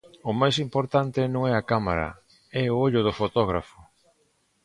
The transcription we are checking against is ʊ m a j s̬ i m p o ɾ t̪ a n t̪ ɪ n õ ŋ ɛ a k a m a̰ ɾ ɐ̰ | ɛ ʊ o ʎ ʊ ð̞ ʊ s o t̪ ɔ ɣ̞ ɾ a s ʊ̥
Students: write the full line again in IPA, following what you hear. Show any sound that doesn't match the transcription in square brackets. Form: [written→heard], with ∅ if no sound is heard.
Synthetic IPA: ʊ m a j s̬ i m p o ɾ t̪ a n t̪ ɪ n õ ŋ ɛ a k a m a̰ ɾ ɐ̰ | ɛ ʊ o ʎ ʊ ð̞ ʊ [s→f] o t̪ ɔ ɣ̞ ɾ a [s→f] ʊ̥